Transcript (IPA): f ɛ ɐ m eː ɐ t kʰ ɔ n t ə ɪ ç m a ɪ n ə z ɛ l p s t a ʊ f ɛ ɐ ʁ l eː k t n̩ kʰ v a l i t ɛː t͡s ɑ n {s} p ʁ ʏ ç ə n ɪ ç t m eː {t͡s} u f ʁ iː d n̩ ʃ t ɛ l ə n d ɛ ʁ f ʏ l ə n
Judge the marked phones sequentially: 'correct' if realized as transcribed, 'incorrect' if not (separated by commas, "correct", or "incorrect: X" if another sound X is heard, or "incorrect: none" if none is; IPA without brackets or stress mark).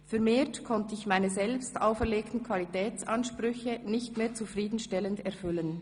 incorrect: ʃ, correct